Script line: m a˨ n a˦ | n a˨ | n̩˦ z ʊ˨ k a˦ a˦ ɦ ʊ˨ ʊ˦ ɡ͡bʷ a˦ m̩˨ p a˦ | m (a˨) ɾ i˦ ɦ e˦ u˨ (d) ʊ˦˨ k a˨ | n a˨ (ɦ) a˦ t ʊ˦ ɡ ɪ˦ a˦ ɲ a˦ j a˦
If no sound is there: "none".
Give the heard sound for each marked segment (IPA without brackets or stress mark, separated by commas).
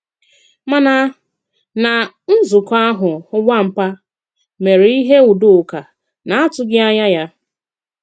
e˨, d, none